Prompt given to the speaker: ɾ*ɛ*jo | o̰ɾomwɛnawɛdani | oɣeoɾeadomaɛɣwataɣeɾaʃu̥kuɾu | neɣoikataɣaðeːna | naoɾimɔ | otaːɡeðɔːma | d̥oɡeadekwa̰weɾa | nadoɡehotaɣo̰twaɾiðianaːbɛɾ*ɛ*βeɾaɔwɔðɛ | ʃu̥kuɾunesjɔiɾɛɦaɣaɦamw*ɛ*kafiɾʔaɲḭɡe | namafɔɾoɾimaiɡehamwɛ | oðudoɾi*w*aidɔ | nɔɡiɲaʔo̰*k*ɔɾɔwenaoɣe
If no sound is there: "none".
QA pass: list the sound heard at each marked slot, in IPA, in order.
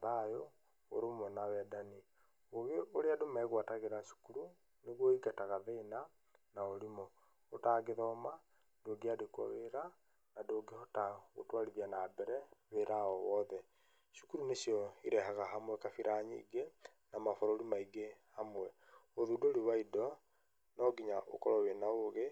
a, ɛ, ɛ, w, k

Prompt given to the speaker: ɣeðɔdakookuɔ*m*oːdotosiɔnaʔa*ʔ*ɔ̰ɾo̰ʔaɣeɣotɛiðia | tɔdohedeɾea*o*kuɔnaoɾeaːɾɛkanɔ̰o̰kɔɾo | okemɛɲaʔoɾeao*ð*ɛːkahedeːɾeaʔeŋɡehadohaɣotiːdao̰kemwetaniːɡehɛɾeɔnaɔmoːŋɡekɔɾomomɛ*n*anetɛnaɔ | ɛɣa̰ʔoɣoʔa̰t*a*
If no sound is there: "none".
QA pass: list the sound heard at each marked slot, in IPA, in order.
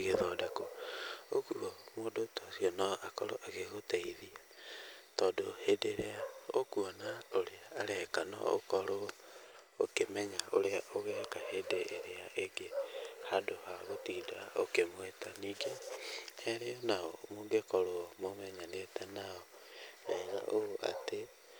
m, k, o, ɣ, ɲ, e

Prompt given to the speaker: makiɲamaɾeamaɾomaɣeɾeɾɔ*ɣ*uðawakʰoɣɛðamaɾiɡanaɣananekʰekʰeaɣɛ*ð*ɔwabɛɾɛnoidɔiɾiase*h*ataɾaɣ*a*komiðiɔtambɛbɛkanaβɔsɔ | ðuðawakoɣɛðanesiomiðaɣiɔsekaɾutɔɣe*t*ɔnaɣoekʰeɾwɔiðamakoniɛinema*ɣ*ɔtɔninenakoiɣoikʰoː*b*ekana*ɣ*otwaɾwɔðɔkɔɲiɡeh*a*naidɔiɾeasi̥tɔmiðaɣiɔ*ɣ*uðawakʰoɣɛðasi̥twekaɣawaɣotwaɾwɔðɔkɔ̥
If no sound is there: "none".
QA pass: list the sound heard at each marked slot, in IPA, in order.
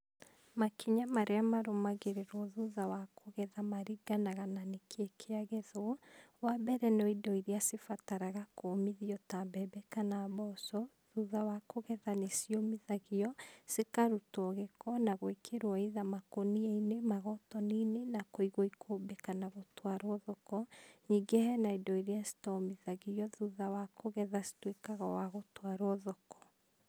ð, ð, f, a, k, ɣ, b, ɣ, ɛ, ð

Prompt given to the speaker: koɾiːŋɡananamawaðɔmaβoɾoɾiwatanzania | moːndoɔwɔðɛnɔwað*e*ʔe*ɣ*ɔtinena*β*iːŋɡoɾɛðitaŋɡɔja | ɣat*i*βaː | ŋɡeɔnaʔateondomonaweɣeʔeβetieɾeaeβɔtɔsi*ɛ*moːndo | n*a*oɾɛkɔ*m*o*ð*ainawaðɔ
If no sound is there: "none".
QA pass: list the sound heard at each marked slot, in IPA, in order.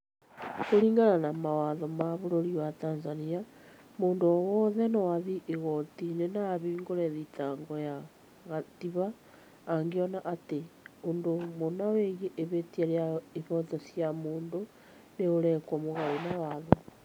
i, ɣ, β, i, a, e, m, ɣ

